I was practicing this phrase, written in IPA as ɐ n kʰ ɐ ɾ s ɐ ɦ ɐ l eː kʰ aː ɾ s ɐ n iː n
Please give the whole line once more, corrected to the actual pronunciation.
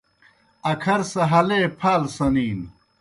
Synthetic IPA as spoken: ɐ kʰ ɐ ɾ s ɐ ɦ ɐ l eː pʰ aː l s ɐ n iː n

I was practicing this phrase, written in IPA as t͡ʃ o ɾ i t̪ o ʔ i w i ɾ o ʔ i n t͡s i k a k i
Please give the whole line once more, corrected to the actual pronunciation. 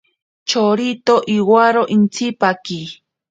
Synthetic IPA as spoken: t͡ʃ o ɾ i t̪ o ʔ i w a ɾ o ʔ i n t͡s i p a k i

